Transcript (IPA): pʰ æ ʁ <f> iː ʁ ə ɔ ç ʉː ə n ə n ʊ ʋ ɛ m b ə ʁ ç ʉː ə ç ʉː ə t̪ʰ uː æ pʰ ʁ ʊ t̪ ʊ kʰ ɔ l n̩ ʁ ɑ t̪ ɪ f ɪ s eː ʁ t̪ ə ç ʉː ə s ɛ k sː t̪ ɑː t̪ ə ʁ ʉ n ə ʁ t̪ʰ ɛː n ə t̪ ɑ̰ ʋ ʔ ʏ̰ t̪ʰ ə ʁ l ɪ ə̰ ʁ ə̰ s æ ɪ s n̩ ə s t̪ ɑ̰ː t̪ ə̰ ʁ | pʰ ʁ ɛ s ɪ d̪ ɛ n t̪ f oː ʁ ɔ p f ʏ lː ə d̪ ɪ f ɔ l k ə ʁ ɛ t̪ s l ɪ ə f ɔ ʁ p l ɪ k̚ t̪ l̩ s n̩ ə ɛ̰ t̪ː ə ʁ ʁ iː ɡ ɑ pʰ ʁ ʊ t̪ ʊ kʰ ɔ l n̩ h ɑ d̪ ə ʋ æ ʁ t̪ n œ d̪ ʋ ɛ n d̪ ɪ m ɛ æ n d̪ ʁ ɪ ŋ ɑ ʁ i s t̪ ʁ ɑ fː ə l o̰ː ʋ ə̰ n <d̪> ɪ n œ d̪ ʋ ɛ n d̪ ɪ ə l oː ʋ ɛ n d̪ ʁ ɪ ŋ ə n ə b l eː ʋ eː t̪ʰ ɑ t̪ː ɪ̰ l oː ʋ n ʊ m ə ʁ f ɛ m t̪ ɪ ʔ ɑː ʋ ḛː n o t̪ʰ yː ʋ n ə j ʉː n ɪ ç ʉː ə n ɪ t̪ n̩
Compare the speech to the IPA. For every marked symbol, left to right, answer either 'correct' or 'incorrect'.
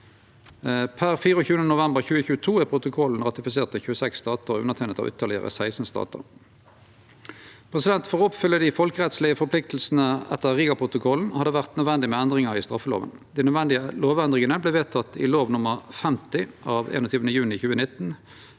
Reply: correct, correct

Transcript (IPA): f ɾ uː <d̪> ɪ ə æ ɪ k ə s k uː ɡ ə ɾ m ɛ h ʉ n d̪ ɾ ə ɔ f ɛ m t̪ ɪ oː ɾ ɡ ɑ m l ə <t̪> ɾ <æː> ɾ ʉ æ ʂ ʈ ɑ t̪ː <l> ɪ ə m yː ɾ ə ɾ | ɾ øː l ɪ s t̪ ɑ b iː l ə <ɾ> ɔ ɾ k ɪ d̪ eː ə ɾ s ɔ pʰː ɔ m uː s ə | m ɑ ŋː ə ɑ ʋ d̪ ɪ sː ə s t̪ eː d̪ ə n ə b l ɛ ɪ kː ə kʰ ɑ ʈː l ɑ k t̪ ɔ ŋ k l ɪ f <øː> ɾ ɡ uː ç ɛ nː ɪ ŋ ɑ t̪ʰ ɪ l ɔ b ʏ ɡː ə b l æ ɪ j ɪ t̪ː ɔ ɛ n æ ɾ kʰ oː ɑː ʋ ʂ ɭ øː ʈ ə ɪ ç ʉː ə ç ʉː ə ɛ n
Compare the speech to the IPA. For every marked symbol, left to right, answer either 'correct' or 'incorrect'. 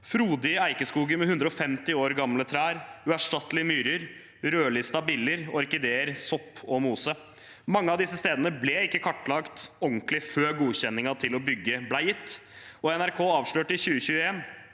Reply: correct, incorrect: t̪ʰ, correct, correct, correct, correct

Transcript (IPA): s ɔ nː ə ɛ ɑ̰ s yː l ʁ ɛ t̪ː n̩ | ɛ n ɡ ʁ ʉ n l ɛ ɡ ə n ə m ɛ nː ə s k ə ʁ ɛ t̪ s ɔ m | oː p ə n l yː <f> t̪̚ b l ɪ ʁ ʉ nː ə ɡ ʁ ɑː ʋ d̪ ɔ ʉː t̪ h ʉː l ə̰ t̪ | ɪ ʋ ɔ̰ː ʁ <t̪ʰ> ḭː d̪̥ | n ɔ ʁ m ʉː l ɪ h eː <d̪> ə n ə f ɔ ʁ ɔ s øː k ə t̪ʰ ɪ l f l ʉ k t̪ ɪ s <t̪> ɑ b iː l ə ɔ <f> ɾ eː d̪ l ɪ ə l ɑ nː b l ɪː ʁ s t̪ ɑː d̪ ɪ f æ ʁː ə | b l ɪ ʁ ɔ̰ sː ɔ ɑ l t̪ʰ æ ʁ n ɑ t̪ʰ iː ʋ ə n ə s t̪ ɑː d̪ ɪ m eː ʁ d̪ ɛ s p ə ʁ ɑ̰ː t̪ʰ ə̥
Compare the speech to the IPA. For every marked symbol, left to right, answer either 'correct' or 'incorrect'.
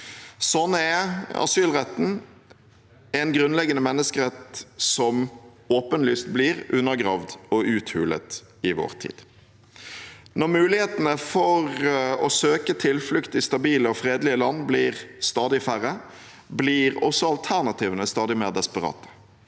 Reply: incorrect: s, correct, incorrect: t̪, correct, correct

